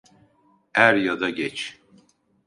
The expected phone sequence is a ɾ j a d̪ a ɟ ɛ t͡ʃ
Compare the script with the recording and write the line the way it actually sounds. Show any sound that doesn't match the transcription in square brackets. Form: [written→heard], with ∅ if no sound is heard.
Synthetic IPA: [a→æ] ɾ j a d̪ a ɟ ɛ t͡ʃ